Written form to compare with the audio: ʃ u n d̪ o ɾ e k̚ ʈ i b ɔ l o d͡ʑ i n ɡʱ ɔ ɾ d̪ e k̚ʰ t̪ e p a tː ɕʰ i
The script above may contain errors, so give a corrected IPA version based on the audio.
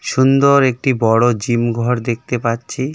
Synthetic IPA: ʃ u n d̪ o ɾ e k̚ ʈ i b ɔ ɽ o d͡ʑ i m ɡʱ ɔ ɾ d̪ e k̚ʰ t̪ e p a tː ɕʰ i